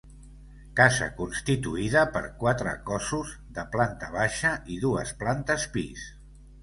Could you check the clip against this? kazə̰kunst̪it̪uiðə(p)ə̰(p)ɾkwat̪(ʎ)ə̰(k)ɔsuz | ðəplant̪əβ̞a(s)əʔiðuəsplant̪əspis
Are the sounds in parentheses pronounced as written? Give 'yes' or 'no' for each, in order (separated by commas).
yes, no, no, yes, no